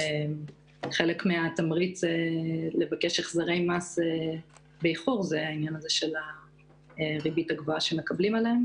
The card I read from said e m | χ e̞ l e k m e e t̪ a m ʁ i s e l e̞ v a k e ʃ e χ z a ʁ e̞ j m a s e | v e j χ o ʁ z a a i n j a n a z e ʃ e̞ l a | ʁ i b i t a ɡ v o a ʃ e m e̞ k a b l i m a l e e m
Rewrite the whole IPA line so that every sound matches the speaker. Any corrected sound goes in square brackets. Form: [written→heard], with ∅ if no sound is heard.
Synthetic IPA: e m | χ e̞ l e k m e [e→a] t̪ a m ʁ i [s→t͡s] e l e̞ v a k e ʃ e χ z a ʁ e̞ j m a s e | [v→b] e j χ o ʁ z [a→e] a i n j a n a z e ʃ e̞ l a | ʁ i b i t a ɡ v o a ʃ e m e̞ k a b l i m a l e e m